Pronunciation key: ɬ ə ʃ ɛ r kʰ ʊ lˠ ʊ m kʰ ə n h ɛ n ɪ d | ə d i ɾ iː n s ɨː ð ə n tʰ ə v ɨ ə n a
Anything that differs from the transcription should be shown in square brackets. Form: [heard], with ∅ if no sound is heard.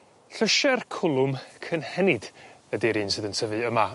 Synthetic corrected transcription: ɬ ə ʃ ɛ r kʰ ʊ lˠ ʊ m kʰ ə n h ɛ n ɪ d | ə d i ɾ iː n s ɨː ð ə n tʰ ə v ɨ ə [m] a

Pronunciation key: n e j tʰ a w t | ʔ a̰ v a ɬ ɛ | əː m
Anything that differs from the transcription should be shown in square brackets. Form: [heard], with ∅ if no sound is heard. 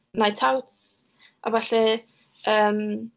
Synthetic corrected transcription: n [a] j tʰ a w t | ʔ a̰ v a ɬ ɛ | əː m

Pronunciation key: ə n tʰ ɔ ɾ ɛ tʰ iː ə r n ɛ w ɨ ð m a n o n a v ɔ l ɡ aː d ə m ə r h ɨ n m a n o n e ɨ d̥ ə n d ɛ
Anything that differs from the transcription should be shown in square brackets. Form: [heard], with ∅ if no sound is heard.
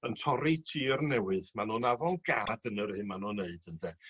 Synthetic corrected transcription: ə n tʰ ɔ ɾ [i] tʰ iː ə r n ɛ w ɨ ð m a n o n a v ɔ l ɡ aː d ə [n] ə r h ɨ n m a n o n e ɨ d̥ ə n d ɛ

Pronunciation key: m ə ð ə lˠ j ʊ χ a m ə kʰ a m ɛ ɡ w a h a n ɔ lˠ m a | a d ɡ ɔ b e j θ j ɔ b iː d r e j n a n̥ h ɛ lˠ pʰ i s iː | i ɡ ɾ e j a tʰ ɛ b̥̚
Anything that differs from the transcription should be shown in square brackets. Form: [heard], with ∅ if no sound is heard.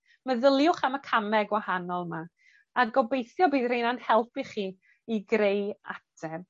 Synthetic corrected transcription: m ə ð ə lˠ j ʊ χ a m ə kʰ a m ɛ ɡ w a h a n ɔ lˠ m a | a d ɡ ɔ b e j θ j ɔ b iː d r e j n a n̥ h ɛ lˠ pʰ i [χ] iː | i ɡ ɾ e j a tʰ ɛ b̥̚

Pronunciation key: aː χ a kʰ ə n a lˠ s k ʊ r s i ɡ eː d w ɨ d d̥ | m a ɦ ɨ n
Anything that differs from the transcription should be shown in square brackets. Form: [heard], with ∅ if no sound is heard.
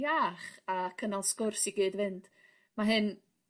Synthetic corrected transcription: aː χ a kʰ ə n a lˠ s k ʊ r s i ɡ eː d [v] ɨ [n] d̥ | m a ɦ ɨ n

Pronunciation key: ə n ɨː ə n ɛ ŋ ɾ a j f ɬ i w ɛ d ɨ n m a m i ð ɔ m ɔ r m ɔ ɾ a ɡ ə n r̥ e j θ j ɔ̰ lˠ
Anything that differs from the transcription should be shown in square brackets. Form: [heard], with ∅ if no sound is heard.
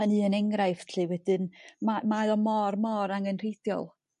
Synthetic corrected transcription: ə n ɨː ə n ɛ ŋ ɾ a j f ɬ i w ɛ d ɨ n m a m [a] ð ɔ m ɔ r m ɔ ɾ a [ŋ] ə n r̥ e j θ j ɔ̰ lˠ

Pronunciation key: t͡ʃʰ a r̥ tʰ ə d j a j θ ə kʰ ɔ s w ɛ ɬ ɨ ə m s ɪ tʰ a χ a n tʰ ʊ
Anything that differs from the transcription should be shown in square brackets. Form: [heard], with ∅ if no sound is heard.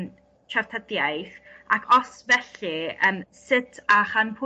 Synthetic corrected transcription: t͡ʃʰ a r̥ tʰ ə d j a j θ [a] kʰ ɔ s [v] ɛ ɬ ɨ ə m s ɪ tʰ a χ a n [pʰ] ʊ

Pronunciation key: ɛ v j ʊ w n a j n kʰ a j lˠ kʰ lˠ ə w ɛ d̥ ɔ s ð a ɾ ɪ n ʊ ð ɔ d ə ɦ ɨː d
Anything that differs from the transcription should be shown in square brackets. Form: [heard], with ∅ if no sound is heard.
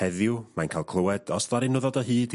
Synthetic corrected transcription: ɛ [ð] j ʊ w [m] a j n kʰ a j lˠ kʰ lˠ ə w ɛ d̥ ɔ s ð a ɾ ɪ n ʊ ð ɔ d ə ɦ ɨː d

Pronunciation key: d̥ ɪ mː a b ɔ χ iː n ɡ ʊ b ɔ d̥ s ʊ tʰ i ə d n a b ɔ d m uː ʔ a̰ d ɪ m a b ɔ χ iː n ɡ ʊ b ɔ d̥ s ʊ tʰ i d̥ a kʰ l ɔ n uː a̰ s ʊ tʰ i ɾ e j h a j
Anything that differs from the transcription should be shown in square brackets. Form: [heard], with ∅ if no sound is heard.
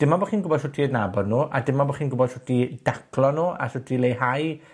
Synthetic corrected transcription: d̥ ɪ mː a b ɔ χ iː n ɡ ʊ b ɔ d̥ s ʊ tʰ i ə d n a b ɔ d [n] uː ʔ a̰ d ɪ m a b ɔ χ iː n ɡ ʊ b ɔ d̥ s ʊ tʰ i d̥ a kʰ l ɔ n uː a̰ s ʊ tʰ i [l] e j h a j

